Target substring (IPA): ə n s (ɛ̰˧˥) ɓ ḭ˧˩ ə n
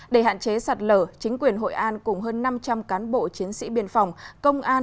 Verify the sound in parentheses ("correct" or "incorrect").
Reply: incorrect